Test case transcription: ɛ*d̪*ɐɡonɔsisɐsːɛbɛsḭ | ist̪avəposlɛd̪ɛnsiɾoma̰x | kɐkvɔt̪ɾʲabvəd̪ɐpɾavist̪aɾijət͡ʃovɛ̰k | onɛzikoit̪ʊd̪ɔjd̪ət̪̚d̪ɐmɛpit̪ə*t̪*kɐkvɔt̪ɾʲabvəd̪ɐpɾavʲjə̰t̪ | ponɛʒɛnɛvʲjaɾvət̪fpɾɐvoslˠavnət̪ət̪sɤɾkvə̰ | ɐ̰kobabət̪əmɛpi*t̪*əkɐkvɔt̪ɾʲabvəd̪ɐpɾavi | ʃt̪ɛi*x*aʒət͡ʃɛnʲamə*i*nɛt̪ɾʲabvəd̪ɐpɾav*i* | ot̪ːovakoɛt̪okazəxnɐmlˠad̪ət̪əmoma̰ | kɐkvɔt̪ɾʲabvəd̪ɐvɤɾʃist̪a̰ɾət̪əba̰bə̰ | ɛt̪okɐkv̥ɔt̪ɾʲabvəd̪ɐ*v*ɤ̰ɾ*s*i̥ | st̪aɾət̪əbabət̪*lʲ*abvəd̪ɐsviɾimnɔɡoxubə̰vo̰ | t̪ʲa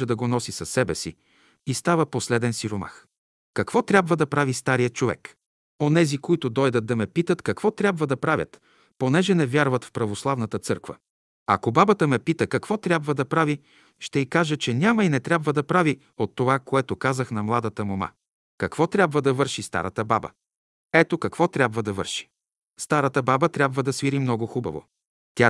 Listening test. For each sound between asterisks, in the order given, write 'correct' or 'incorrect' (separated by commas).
correct, correct, correct, incorrect, correct, correct, correct, incorrect, incorrect